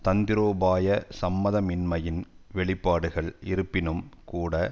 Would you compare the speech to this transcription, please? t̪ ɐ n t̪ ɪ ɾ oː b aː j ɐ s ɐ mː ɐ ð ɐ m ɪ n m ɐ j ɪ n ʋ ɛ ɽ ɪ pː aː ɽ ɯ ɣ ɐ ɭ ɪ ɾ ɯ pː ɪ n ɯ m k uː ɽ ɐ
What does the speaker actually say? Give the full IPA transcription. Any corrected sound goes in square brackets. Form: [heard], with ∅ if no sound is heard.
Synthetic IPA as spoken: t̪ ɐ n [d̪] ɪ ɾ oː b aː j ɐ s ɐ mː ɐ ð ɐ m ɪ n m ɐ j ɪ n ʋ ɛ [ɭ] ɪ pː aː ɽ ɯ ɣ ɐ ɭ ɪ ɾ ɯ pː ɪ n ɯ m k uː ɽ ɐ